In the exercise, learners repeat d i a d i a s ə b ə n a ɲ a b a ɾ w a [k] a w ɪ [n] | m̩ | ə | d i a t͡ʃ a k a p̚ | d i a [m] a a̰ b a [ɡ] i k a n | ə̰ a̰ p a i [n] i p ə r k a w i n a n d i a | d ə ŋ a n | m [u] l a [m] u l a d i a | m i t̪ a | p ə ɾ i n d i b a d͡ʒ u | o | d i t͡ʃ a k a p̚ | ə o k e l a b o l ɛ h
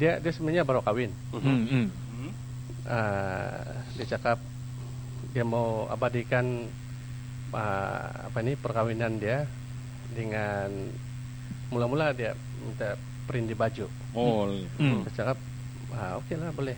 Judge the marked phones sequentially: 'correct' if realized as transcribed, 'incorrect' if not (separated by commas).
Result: correct, correct, correct, incorrect, correct, correct, correct